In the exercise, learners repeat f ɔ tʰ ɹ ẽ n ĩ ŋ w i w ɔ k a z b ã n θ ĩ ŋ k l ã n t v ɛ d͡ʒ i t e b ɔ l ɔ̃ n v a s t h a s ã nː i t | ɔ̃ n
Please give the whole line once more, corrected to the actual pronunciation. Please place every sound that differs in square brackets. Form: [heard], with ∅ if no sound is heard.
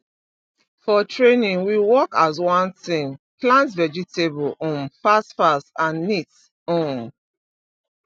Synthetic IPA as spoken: f ɔ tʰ ɹ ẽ n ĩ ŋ w i w ɔ k a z [w] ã n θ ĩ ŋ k l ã n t v ɛ d͡ʒ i t e b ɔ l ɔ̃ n [f] a s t [f] a s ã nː i t | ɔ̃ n